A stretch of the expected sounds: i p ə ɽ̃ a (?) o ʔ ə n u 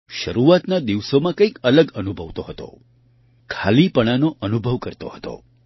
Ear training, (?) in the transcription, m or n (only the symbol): n